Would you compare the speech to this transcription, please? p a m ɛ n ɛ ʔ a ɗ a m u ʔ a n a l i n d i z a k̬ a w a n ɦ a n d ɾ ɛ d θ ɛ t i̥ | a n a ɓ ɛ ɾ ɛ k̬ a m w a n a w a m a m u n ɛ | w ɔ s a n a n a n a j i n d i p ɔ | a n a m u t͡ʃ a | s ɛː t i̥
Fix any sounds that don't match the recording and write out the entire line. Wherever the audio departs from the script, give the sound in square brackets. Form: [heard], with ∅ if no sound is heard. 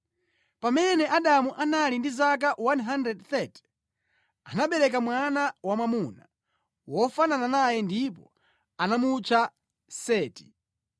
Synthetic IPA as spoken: p a m ɛ n ɛ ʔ a ɗ a m u ʔ a n a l i n d i z a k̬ a w a n ɦ a n d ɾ ɛ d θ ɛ t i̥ | a n a ɓ ɛ ɾ ɛ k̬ a m w a n a w a m a m u n [a] | w ɔ [f] a n a n a n a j [ɛ] n d i p ɔ | a n a m u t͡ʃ a | s ɛː t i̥

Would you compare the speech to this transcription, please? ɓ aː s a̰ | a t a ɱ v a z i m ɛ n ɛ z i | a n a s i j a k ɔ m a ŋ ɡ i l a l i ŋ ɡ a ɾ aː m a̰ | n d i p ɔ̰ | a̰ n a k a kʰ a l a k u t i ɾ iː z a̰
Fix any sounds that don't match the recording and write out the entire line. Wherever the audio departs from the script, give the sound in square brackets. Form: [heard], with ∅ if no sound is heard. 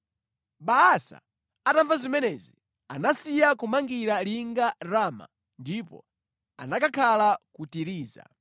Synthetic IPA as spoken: ɓ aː s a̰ | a t a ɱ v a z i m ɛ n ɛ z i | a n a s i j a k [u] m a ŋ ɡ i [ɾ] a l i ŋ ɡ a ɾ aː m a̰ | n d i p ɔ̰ | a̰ n a k a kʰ a l a k u t i ɾ iː z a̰

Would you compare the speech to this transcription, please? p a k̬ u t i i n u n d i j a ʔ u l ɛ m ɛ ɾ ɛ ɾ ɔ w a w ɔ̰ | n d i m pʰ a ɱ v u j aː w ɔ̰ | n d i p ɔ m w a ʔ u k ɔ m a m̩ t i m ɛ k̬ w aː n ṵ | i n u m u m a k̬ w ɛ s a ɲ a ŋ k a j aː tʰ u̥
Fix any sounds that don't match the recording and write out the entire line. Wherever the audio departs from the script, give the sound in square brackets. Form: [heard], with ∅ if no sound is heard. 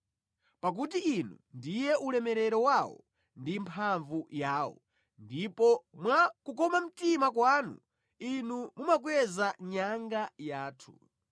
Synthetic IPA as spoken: p a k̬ u t i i n u n d i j [ɛ] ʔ u l ɛ m ɛ ɾ ɛ ɾ ɔ w a w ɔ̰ | n d i m pʰ a ɱ v u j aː w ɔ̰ | n d i p ɔ m w a [k] u k ɔ m a m̩ t i m [a] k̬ w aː n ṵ | i n u m u m a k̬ w ɛ [z] a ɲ a ŋ [ɡ] a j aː tʰ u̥

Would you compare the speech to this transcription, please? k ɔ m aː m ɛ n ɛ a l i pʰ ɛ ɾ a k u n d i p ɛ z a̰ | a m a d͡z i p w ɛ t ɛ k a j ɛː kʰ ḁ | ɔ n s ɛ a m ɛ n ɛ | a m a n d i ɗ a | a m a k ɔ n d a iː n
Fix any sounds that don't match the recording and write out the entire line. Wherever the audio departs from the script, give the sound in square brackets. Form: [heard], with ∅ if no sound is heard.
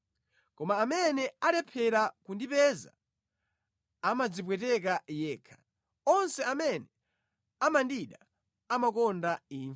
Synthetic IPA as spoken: k ɔ m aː m ɛ n ɛ a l [ɛ] pʰ ɛ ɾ a k u n d i p ɛ z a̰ | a m a d͡z i p w ɛ t ɛ k a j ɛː kʰ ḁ | ɔ n s ɛ a m ɛ n ɛ | a m a n d i ɗ a | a m a k ɔ n d a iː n

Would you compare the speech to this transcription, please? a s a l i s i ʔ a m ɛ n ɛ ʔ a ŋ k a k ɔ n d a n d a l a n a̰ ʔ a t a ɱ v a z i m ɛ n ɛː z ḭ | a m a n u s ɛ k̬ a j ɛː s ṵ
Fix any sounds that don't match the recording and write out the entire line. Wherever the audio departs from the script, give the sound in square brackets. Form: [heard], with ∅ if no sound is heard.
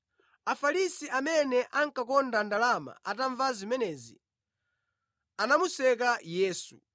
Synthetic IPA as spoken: a [f] a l i s i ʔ a m ɛ n ɛ ʔ a ŋ k a k ɔ n d a n d a l a [m] a̰ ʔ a t a ɱ v a z i m ɛ n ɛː z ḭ | a [n] a [m] u s ɛ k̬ a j ɛː s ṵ

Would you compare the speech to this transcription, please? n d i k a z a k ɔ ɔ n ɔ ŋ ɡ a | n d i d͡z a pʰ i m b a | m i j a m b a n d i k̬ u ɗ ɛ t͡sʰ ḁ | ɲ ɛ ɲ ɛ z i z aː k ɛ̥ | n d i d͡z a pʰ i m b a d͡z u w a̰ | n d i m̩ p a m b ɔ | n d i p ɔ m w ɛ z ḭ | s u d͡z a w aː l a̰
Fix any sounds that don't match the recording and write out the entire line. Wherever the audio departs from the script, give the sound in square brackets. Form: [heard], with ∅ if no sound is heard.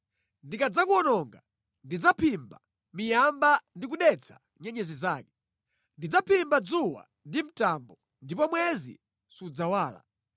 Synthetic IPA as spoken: n d i k a [d͡z] a k [u] ɔ n ɔ ŋ ɡ a | n d i d͡z a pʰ i m b a | m i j a m b a n d i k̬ u ɗ ɛ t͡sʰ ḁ | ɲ ɛ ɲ ɛ z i z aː k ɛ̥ | n d i d͡z a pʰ i m b a d͡z u w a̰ | n d i m̩ [t] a m b ɔ | n d i p ɔ m w ɛ z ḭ | s u d͡z a w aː l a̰

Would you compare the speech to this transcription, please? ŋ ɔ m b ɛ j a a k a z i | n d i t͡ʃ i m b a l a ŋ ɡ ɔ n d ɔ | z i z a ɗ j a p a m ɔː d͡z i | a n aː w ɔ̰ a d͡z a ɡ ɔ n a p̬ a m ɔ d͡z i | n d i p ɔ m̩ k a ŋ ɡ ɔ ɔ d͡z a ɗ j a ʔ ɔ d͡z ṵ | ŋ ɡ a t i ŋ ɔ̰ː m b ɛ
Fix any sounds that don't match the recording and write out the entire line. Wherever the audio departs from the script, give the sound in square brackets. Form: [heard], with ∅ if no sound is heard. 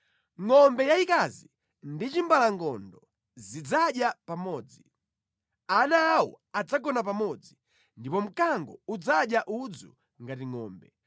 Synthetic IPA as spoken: ŋ ɔ m b ɛ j a [i] k a z i | n d i t͡ʃ i m b a l a ŋ ɡ ɔ n d ɔ | z i [d͡z] a ɗ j a p a m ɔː d͡z i | a n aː w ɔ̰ a d͡z a ɡ ɔ n a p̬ a m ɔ d͡z i | n d i p ɔ m̩ k a ŋ ɡ ɔ [u] d͡z a ɗ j a ʔ [u] d͡z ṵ | ŋ ɡ a t i ŋ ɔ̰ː m b ɛ

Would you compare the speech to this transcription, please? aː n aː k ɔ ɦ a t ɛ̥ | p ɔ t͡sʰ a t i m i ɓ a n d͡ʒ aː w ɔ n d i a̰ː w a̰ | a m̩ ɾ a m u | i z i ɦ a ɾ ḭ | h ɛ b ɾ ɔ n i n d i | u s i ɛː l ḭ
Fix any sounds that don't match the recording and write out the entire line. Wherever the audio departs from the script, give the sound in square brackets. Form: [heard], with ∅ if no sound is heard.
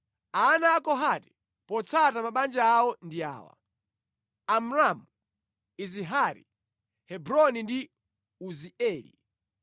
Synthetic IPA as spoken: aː n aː k ɔ ɦ a t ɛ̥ | p ɔ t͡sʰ a t [a] m [a] ɓ a n d͡ʒ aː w ɔ n d i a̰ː w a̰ | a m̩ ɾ a m u | i z i ɦ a ɾ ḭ | h ɛ b ɾ ɔ n i n d i | u [z] i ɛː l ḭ

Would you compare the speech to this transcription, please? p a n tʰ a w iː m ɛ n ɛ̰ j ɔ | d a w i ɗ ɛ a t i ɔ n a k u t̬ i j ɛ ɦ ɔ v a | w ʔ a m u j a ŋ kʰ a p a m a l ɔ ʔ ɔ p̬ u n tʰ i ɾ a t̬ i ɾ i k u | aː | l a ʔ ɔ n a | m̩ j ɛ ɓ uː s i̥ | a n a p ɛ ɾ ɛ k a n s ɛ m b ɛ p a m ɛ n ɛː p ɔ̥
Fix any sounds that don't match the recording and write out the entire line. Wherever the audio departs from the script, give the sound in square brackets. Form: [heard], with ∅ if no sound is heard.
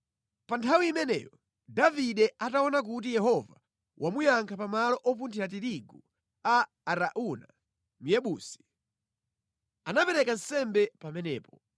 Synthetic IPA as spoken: p a n tʰ a w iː m ɛ n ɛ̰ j ɔ | d a [v] i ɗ ɛ a t [a] ɔ n a k u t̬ i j ɛ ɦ ɔ v a | w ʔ a m u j a ŋ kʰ a p a m a l ɔ ʔ ɔ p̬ u n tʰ i ɾ a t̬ i ɾ i [ɡ] u | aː | [ɾ] a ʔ [u] n a | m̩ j ɛ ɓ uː s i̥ | a n a p ɛ ɾ ɛ k a n s ɛ m b ɛ p a m ɛ n ɛː p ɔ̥

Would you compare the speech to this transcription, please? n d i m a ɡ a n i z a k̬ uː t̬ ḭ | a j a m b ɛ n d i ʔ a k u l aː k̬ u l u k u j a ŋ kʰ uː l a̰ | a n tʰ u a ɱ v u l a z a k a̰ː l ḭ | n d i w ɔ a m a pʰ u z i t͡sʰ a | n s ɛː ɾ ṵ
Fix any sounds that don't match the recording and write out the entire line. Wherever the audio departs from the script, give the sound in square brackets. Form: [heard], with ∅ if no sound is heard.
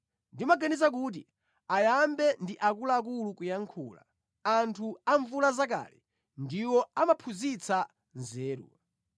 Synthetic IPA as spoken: n d i m a ɡ a n i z a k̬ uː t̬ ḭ | a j a m b ɛ n d i ʔ a k u l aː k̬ u l u k u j a ŋ kʰ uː l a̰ | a n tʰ u a ɱ v u l a z a k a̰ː l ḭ | n d i w ɔ a m a pʰ u z i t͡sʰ a | n [z] ɛː ɾ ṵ

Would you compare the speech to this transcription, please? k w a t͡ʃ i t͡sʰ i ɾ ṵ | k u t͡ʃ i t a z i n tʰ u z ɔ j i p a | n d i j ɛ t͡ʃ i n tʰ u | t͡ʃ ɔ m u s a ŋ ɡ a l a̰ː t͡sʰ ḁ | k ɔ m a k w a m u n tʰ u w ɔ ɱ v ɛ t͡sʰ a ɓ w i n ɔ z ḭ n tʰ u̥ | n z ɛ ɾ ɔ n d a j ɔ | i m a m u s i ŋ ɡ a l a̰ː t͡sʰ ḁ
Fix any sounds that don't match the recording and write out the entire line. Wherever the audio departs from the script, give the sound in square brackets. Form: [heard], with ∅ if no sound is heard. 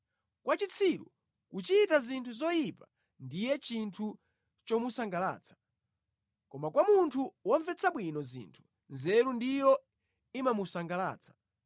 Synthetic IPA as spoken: k w a t͡ʃ i t͡sʰ i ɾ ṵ | k u t͡ʃ i t a z i n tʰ u z ɔ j i p a | n d i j ɛ t͡ʃ i n tʰ u | t͡ʃ ɔ m u s a ŋ ɡ a l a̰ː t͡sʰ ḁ | k ɔ m a k w a m u n tʰ u w ɔ ɱ v ɛ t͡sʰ a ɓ w i n ɔ z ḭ n tʰ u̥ | n z ɛ ɾ [u] n d [i] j ɔ | i m a m u s [a] ŋ ɡ a l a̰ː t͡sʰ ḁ

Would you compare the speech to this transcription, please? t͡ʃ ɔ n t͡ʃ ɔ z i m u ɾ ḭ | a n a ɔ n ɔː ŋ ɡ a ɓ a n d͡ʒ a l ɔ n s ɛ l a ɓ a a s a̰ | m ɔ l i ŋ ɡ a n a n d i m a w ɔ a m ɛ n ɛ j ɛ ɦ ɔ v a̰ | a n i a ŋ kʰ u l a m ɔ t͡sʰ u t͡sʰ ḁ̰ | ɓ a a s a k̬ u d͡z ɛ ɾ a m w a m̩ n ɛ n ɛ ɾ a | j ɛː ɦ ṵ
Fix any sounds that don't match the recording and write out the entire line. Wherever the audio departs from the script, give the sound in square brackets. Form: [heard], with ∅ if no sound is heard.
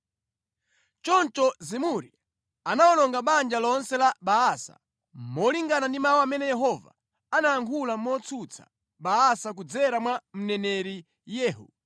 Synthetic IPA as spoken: t͡ʃ ɔ n t͡ʃ ɔ z i m u ɾ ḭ | a n a ɔ n [ɔ] ŋ ɡ a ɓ a n d͡ʒ a l ɔ n s ɛ l a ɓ a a s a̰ | m ɔ l i ŋ ɡ a n a n d i m a w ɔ a m ɛ n ɛ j ɛ ɦ ɔ v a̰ | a n [a] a ŋ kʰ u l a m ɔ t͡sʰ u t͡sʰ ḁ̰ | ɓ a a s a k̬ u d͡z ɛ ɾ a m w a m̩ n ɛ n ɛ ɾ [i] | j ɛː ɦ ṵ

